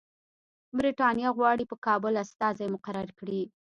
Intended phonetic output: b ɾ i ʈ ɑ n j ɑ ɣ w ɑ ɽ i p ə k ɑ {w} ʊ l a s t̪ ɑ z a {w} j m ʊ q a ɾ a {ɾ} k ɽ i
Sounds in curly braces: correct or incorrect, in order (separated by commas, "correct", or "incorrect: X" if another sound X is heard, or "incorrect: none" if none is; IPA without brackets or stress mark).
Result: incorrect: b, incorrect: none, correct